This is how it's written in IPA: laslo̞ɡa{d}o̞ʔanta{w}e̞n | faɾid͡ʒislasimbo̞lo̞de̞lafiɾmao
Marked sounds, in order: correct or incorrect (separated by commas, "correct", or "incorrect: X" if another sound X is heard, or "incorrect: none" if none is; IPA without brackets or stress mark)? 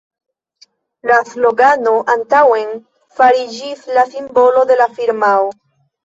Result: incorrect: n, correct